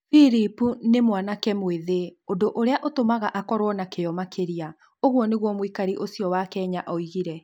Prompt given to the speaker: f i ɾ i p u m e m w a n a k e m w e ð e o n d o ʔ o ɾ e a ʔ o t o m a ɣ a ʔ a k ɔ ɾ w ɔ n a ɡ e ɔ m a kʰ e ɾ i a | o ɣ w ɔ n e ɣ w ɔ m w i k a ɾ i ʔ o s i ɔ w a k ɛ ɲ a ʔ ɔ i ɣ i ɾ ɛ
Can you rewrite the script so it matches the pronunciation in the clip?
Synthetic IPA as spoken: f i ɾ i p u n e m w a n a k ɛ m w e ð e o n d o ʔ o ɾ e a ʔ o t o m a ɣ a ʔ a k ɔ ɾ w ɔ n a k e ɔ m a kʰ e ɾ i a | o ɣ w ɔ n e ɣ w ɔ m w i k a ɾ i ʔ o s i ɔ w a k ɛ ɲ a ʔ ɔ i ɣ i ɾ ɛ